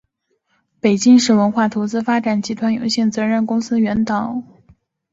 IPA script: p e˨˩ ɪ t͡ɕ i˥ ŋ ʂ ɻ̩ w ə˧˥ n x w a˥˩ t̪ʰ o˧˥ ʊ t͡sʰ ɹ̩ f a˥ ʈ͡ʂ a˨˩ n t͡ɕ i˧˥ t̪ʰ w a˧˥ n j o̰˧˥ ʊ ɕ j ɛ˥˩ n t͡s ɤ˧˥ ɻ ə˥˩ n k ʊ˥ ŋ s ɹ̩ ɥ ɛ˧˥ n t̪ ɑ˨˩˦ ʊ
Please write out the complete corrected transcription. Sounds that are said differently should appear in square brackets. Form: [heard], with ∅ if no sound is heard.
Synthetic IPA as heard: p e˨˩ ɪ t͡ɕ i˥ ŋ ʂ ɻ̩ w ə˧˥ n x w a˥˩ t̪ʰ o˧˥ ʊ [t͡s] ɹ̩ f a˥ ʈ͡ʂ a˨˩ n t͡ɕ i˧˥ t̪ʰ w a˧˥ n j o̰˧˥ ʊ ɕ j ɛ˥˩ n t͡s ɤ˧˥ ɻ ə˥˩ n k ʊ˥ ŋ s ɹ̩ ɥ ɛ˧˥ n t̪ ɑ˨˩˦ ʊ